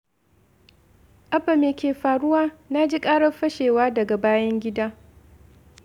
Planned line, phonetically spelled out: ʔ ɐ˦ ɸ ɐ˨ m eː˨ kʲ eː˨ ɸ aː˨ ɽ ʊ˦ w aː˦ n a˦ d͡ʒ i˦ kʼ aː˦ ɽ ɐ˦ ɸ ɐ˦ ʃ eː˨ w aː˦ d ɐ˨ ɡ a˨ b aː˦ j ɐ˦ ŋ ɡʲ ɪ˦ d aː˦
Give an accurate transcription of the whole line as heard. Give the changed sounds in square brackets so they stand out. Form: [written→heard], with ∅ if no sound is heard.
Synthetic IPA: ʔ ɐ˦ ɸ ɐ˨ m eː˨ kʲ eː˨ ɸ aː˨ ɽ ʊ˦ w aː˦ n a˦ d͡ʒ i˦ kʼ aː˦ ɽ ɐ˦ ɸ ɐ˦ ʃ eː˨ w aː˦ d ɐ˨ ɡ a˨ b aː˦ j ɐ˦ ŋ ɡʲ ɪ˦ d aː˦